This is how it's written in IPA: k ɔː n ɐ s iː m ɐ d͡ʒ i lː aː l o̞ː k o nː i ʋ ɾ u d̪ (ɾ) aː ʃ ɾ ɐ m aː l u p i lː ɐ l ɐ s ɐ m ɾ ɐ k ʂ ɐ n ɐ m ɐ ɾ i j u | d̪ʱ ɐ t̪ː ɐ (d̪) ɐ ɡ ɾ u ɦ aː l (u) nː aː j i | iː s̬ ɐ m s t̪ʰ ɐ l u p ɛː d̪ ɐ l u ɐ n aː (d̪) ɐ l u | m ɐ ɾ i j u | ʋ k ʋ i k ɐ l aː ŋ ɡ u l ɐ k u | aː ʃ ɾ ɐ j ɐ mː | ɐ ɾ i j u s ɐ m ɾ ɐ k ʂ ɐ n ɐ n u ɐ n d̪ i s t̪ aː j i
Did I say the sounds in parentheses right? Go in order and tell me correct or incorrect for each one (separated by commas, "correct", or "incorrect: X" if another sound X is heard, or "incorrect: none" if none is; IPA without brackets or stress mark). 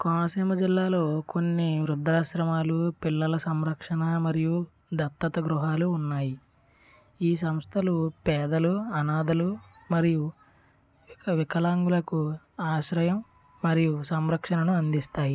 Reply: correct, incorrect: t̪, incorrect: uː, correct